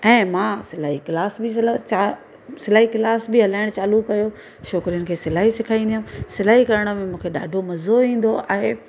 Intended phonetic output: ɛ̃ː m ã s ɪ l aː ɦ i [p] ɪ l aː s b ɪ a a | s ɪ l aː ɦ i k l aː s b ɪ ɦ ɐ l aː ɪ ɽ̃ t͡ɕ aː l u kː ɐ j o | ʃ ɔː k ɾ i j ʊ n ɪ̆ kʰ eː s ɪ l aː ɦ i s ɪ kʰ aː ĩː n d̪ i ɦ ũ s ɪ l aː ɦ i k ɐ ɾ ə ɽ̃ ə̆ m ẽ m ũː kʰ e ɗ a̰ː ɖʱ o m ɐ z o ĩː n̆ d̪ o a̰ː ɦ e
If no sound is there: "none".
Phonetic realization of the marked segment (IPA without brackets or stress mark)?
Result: k